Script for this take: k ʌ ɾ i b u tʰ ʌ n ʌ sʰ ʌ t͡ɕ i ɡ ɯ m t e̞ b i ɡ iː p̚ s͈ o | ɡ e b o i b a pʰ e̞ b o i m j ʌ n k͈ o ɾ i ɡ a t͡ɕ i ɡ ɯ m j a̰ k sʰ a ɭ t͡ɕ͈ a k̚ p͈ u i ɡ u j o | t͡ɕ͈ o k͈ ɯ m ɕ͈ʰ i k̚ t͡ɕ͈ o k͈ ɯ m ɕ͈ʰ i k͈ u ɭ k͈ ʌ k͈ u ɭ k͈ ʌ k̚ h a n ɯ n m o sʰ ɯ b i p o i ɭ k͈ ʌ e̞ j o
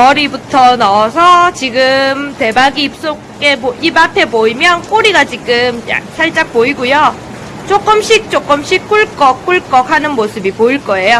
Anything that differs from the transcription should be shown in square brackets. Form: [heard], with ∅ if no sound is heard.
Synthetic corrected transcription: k ʌ ɾ i b u tʰ ʌ n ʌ sʰ ʌ t͡ɕ i ɡ ɯ m t e̞ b [a] ɡ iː p̚ s͈ o | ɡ e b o i b a pʰ e̞ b o i m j ʌ n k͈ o ɾ i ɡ a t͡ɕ i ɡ ɯ m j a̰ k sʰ a ɭ t͡ɕ͈ a k̚ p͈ [o] i ɡ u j o | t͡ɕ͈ o k͈ ɯ m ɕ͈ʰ i k̚ t͡ɕ͈ o k͈ ɯ m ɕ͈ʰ i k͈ u ɭ k͈ ʌ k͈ u ɭ k͈ ʌ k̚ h a n ɯ n m o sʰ ɯ b i p o i ɭ k͈ ʌ e̞ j o